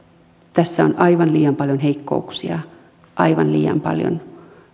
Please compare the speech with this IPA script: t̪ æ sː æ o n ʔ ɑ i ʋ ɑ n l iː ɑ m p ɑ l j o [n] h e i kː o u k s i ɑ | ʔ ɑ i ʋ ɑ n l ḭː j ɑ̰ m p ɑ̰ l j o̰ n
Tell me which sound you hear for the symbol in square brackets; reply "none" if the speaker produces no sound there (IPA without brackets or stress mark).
n